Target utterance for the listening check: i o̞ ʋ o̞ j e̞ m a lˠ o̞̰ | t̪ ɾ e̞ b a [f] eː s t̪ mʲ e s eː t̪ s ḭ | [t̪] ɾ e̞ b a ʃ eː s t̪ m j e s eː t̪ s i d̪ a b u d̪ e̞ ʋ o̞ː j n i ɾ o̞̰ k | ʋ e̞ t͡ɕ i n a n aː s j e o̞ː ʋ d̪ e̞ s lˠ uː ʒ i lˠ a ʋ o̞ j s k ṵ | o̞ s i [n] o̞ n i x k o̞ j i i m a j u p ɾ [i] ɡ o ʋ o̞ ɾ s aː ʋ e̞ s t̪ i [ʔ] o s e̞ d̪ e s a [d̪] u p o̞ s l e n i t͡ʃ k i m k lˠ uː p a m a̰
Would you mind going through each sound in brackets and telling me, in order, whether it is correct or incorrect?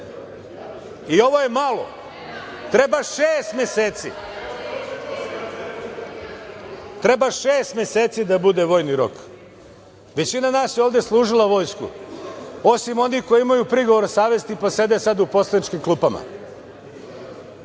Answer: incorrect: ʃ, correct, incorrect: m, correct, incorrect: p, correct

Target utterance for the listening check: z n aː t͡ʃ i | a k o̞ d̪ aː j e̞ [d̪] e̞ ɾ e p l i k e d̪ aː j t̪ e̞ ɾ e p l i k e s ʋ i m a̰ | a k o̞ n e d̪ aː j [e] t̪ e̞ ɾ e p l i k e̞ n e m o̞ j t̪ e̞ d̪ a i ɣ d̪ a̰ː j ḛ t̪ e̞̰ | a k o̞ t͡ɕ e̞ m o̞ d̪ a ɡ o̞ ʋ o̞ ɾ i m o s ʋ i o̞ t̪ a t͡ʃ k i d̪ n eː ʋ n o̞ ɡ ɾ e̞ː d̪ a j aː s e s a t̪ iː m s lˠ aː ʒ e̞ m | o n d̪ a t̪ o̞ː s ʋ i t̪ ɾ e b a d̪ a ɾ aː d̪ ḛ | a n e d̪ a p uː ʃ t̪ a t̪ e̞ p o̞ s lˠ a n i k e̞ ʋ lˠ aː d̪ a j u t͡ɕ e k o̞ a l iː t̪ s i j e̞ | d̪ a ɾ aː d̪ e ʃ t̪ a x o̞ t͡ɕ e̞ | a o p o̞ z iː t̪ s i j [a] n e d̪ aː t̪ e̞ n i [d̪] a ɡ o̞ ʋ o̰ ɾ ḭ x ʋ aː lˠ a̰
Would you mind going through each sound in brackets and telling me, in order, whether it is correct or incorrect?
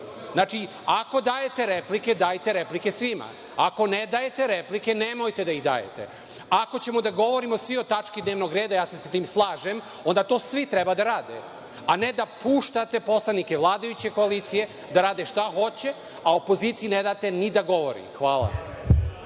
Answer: incorrect: t̪, correct, incorrect: i, correct

